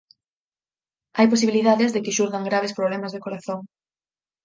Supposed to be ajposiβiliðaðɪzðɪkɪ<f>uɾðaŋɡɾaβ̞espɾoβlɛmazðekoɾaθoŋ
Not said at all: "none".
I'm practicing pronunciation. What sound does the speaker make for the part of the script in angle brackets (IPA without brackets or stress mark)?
ʃ